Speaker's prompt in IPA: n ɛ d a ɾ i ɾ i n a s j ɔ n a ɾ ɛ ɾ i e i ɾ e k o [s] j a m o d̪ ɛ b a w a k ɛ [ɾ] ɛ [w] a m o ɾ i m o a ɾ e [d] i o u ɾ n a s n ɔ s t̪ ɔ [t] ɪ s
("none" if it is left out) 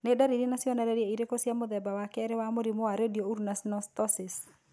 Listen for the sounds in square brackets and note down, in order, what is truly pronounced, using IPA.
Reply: s, ɾ, w, d, s

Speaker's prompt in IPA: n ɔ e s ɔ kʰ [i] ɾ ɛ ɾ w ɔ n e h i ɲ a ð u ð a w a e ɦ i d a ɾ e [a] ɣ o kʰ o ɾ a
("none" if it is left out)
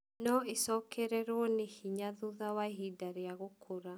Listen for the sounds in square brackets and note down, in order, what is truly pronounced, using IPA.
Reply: ɛ, a

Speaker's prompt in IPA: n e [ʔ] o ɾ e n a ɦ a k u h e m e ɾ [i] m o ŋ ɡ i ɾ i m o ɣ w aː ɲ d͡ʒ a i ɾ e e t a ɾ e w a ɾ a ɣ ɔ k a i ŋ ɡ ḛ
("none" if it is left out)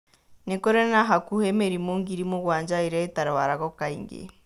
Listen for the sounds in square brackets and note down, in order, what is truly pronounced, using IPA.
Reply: k, i

